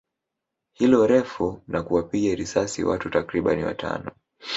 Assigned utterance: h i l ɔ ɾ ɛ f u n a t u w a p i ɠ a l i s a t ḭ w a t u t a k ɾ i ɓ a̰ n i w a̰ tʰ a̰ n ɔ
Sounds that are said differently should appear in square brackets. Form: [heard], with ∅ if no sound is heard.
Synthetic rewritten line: h i l ɔ ɾ ɛ f u n a [k] u w a p i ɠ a [ɾ] i s a [s] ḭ w a t u t a k ɾ i ɓ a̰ n i w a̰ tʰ a̰ n ɔ